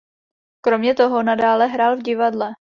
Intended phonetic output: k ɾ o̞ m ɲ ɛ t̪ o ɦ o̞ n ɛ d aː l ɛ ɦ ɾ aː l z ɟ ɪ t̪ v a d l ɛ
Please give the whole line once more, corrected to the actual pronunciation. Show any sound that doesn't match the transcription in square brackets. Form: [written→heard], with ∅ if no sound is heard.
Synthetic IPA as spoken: k ɾ o̞ m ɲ ɛ t̪ o ɦ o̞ n [ɛ→a] d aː l ɛ ɦ ɾ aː l [z→v] ɟ ɪ [t̪→∅] v a d l ɛ